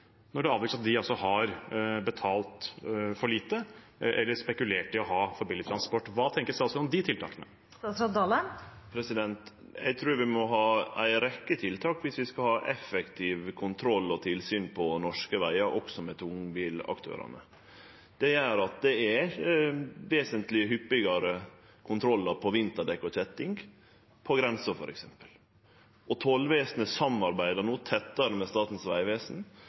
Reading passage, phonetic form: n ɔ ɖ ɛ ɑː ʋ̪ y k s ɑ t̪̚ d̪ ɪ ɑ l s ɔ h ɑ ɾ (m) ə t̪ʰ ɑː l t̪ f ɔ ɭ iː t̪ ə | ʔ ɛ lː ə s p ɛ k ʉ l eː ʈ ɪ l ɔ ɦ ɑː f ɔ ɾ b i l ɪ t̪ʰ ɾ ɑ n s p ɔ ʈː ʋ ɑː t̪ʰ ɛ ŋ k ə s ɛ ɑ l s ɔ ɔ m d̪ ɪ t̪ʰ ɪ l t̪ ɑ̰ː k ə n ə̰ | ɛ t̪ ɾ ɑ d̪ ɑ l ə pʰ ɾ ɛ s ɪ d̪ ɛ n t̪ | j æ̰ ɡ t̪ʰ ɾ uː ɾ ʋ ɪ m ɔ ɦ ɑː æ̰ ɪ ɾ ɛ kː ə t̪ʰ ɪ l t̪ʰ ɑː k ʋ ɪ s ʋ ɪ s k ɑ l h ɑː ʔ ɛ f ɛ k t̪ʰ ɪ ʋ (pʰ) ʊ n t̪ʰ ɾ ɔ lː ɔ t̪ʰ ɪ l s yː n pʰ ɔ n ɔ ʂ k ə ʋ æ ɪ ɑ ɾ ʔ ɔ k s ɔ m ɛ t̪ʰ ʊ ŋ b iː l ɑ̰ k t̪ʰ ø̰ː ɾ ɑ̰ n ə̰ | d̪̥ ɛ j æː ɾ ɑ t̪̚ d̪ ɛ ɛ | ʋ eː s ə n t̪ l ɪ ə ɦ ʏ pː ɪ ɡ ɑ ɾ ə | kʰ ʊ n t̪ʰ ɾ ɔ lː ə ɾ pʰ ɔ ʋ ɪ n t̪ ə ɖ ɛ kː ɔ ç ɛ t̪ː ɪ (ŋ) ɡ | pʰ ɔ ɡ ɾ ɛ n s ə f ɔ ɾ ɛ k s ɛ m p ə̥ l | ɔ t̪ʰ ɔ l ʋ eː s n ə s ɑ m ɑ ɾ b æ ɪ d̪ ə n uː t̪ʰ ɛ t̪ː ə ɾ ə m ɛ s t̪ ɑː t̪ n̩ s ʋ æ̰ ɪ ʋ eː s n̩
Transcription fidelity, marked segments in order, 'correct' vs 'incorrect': incorrect: b, incorrect: kʰ, correct

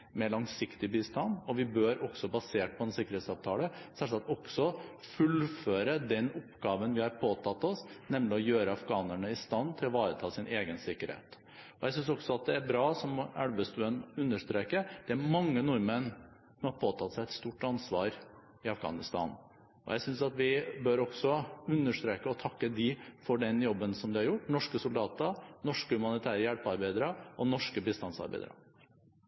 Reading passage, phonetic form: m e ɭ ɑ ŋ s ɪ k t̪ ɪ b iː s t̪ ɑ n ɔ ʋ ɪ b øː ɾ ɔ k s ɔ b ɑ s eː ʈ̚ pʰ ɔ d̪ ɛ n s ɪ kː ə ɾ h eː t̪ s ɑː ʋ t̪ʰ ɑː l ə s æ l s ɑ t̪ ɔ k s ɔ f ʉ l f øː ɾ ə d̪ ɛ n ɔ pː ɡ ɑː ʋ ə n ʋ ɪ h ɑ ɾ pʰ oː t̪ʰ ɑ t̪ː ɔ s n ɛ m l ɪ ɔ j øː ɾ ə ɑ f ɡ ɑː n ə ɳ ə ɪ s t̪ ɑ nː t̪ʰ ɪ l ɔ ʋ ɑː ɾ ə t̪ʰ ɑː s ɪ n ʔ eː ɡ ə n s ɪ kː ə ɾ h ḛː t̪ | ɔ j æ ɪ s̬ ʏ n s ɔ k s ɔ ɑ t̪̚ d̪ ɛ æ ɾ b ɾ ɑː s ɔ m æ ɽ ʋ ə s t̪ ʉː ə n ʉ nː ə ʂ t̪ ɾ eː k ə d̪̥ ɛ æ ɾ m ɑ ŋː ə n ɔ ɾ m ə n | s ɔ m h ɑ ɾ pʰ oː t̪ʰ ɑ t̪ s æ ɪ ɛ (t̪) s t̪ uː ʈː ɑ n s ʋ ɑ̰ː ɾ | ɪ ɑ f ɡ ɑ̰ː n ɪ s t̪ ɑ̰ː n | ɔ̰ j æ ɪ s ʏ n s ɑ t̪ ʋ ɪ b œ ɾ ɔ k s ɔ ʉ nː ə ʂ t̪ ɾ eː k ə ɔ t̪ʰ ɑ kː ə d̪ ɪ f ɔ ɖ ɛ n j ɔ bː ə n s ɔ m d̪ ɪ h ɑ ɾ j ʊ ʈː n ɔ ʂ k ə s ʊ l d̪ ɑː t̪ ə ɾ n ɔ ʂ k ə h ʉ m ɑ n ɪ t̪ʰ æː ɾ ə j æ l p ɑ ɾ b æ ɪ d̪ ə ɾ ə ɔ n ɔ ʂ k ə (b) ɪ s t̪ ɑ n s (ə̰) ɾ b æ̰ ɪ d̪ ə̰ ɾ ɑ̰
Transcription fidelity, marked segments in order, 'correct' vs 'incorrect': correct, correct, incorrect: ɑ̰

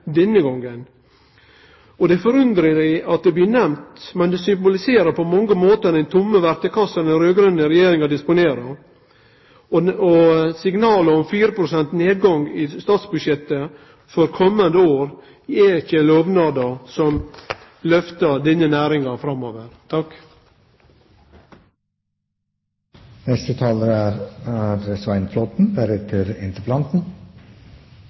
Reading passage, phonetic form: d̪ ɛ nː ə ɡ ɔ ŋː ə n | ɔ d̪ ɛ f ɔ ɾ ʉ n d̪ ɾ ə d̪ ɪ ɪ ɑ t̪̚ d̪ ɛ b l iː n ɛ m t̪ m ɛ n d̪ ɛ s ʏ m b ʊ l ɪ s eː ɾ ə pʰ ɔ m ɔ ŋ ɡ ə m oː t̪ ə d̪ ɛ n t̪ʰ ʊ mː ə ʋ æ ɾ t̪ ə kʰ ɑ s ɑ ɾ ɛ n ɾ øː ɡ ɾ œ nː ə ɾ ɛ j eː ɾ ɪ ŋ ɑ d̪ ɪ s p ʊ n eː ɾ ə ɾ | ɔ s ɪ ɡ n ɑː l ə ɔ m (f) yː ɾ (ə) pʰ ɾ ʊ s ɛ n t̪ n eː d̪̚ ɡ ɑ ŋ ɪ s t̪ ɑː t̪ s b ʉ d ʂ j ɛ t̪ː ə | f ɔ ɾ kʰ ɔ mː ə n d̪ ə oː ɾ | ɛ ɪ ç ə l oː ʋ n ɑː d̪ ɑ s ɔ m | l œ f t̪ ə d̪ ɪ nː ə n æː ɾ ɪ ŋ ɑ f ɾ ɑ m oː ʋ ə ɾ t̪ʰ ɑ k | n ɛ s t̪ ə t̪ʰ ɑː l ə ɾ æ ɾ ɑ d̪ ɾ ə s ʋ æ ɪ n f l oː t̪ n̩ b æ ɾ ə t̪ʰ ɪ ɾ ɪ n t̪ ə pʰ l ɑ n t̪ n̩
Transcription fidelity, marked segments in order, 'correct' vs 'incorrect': correct, correct

